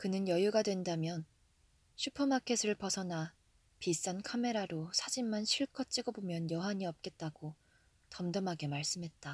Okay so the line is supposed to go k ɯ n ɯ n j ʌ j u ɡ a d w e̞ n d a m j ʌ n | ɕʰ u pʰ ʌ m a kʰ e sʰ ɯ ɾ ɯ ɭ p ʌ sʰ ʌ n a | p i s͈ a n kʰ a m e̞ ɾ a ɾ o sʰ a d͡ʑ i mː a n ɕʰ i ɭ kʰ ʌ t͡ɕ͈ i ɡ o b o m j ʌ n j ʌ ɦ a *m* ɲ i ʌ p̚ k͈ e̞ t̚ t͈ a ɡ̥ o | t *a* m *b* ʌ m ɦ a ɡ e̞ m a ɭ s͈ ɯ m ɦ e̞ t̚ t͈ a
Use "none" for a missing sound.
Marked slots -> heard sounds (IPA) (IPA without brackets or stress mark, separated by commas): none, ʌ, d